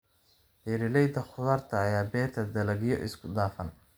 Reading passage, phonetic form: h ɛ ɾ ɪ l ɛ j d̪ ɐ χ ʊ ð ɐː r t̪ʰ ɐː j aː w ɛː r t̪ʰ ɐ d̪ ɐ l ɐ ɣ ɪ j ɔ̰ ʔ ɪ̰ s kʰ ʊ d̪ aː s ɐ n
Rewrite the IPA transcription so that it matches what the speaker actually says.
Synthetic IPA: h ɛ ɾ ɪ l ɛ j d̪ ɐ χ ʊ ð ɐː r t̪ʰ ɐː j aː b ɛː r t̪ʰ ɐ d̪ ɐ l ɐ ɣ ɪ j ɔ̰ ʔ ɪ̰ s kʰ ʊ d̪ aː f ɐ n